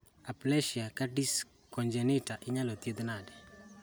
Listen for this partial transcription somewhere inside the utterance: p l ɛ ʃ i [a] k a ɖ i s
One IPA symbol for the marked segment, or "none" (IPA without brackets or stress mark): a